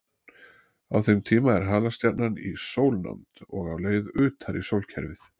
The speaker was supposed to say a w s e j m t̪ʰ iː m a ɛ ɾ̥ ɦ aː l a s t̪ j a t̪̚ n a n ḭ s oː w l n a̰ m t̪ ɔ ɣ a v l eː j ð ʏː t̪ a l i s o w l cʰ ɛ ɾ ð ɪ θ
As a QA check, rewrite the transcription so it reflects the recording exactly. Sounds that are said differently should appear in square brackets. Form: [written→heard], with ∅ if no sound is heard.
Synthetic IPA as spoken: a w [s→θ] e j m t̪ʰ iː m a ɛ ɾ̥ ɦ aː l a s t̪ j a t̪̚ n a n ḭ s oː w l n a̰ m t̪ ɔ ɣ a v l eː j ð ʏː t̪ a [l→ɾ] i s o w l cʰ ɛ ɾ [ð→v] ɪ θ